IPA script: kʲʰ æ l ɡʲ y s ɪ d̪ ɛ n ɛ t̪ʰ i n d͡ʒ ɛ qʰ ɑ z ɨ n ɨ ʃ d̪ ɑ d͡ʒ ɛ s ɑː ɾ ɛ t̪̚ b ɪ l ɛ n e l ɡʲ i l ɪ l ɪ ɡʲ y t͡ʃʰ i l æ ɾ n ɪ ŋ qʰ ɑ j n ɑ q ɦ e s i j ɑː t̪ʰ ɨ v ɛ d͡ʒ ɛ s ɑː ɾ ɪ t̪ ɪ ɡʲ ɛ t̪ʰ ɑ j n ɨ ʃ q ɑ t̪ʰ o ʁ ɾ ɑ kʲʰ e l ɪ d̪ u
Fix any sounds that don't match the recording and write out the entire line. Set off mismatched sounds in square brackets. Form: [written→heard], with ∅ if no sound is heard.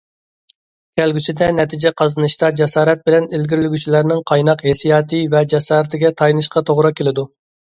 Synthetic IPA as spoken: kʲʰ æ l ɡʲ y s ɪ d̪ ɛ n ɛ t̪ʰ i [n→∅] d͡ʒ ɛ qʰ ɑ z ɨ n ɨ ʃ [d̪→t̪] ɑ d͡ʒ ɛ s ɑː ɾ ɛ t̪̚ b ɪ l ɛ n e l ɡʲ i [l→ɾ] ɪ l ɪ ɡʲ y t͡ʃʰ i l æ ɾ n ɪ ŋ qʰ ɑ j n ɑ q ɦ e s i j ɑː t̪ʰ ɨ v ɛ d͡ʒ ɛ s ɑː ɾ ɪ t̪ ɪ ɡʲ ɛ t̪ʰ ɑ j n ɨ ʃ q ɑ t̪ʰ o ʁ ɾ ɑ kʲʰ e l ɪ d̪ u